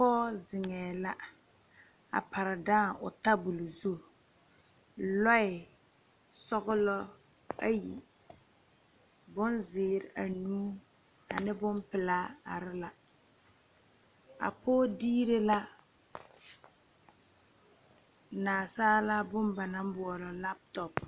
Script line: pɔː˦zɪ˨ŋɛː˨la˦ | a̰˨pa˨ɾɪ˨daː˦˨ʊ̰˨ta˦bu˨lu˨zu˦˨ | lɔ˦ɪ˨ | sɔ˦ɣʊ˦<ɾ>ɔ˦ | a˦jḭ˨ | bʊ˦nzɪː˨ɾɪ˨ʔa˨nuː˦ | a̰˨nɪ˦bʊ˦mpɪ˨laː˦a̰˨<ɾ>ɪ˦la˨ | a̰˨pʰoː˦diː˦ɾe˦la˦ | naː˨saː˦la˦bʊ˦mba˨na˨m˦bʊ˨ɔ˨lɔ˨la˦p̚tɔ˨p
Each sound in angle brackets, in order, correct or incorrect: incorrect: l, correct

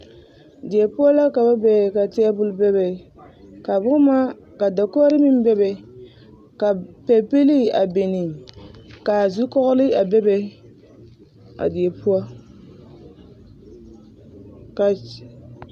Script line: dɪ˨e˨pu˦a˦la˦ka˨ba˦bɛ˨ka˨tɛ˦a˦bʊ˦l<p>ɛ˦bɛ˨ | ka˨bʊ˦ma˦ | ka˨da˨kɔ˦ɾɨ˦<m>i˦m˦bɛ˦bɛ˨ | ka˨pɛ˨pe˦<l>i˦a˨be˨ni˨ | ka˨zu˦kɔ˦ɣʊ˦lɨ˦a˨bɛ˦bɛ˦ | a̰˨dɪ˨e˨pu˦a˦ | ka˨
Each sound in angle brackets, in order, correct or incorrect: incorrect: b, correct, correct

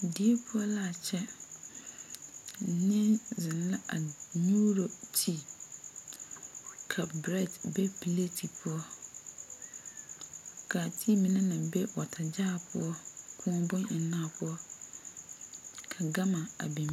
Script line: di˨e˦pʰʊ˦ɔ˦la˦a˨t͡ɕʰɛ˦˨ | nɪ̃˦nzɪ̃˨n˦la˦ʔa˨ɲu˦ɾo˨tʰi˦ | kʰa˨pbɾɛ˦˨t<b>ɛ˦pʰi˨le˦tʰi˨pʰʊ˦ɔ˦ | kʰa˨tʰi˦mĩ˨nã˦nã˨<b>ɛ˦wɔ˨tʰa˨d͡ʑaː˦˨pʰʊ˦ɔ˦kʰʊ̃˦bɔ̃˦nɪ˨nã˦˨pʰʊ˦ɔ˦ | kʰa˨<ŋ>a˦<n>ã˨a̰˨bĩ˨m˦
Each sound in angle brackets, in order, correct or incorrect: correct, correct, incorrect: ɡ, incorrect: m

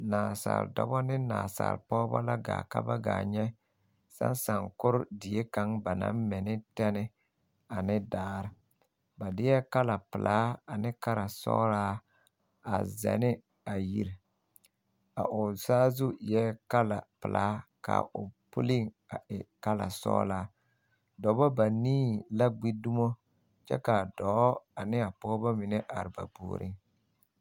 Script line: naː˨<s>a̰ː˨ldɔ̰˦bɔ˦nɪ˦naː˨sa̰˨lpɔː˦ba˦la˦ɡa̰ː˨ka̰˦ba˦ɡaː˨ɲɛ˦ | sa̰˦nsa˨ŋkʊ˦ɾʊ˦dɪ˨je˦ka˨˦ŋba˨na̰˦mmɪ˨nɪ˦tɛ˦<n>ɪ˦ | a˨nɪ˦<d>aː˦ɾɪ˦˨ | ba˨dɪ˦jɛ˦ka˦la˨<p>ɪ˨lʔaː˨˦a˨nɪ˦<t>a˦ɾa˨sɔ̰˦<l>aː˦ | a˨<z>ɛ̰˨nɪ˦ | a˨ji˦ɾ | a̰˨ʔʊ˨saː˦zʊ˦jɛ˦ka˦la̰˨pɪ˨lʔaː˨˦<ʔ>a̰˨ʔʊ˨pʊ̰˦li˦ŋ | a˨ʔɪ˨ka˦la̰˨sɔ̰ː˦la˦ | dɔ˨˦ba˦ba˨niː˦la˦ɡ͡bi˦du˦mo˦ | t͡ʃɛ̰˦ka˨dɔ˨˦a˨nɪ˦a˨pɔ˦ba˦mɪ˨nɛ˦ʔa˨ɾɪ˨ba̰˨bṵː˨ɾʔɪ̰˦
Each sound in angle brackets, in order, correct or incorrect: correct, correct, correct, correct, incorrect: k, incorrect: ɾ, correct, incorrect: k

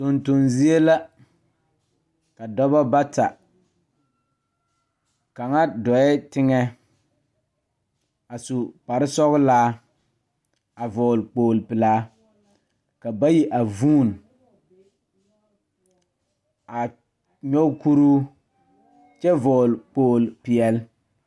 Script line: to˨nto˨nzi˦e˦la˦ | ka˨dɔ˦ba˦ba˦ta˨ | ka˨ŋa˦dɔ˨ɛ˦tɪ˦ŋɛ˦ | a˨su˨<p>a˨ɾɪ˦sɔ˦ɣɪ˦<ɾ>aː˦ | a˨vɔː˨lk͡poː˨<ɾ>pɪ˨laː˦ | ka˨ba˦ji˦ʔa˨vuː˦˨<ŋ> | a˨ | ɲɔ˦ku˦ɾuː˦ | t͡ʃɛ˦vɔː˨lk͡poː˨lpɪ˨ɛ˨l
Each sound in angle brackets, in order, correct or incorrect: correct, incorrect: l, incorrect: l, incorrect: n

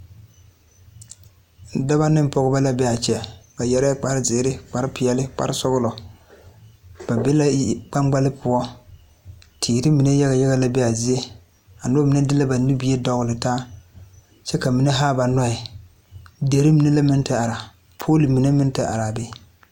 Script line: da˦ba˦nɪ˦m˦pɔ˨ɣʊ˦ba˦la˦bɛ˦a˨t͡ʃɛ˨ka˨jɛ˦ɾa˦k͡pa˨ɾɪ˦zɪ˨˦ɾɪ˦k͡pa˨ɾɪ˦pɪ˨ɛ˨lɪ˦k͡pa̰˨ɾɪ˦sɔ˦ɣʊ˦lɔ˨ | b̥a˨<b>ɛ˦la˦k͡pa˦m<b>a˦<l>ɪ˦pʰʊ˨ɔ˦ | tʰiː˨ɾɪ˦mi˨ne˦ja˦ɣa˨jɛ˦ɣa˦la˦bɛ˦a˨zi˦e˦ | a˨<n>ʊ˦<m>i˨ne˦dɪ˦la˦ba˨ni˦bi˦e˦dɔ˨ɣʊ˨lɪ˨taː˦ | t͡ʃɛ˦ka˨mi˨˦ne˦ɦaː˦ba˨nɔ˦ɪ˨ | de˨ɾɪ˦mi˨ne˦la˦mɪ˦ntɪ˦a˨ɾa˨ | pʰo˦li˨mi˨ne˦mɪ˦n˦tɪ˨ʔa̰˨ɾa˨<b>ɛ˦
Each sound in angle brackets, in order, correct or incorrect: correct, incorrect: ɡ͡b, correct, correct, correct, correct

